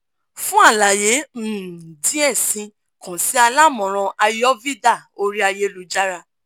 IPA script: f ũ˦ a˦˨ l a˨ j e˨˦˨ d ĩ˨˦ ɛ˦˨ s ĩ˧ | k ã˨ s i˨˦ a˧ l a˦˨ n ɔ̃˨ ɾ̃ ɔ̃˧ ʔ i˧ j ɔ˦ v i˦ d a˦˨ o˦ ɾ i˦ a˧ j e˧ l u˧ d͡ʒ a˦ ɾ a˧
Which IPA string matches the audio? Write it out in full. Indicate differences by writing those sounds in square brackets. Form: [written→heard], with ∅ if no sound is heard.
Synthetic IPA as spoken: f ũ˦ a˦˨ l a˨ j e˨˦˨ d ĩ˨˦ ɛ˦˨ s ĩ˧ | k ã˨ s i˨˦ a˧ l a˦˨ [n→m] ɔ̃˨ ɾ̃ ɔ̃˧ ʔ [i˧→a˧] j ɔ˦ v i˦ d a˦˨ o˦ ɾ i˦ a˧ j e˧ l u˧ d͡ʒ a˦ ɾ a˧